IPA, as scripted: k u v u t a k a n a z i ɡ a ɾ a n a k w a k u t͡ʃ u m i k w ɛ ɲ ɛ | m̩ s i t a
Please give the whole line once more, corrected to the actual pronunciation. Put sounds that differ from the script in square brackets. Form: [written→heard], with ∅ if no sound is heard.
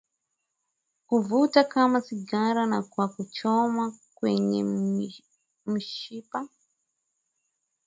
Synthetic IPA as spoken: k u v u t a k a [n→m] a [z→s] i ɡ a ɾ a n a k w a k u t͡ʃ [u→ɔ] m [i→a] k w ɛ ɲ ɛ | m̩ [s→ʃ] i [t→p] a